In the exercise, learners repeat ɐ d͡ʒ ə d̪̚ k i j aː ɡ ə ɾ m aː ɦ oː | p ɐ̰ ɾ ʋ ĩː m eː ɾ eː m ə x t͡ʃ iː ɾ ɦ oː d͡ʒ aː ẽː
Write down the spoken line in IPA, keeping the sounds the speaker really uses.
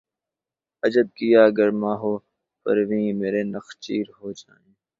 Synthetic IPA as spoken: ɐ d͡ʒ ə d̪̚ k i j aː ɡ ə ɾ m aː ɦ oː | p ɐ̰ ɾ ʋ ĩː m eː ɾ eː n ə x t͡ʃ iː ɾ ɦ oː d͡ʒ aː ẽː